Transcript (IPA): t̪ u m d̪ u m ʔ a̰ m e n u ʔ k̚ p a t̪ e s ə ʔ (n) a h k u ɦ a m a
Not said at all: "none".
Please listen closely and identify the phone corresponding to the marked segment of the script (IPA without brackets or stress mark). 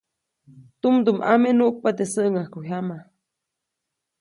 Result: ŋ